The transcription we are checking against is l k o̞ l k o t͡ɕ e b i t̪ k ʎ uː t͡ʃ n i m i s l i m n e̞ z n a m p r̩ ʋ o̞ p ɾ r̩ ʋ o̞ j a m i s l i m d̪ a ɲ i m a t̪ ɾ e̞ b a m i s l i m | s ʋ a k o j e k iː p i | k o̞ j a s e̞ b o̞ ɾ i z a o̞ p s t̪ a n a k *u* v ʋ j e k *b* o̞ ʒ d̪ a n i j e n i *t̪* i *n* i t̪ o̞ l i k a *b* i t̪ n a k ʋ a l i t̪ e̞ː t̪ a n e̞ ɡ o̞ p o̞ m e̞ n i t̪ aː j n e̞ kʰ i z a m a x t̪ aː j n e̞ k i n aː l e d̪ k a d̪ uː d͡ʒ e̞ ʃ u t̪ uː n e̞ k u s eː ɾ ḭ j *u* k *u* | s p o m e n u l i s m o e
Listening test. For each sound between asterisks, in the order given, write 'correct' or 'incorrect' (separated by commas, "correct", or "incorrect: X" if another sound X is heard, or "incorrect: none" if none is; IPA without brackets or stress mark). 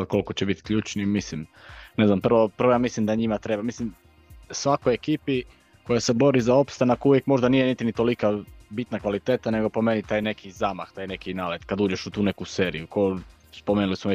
correct, incorrect: m, correct, correct, correct, correct, incorrect: o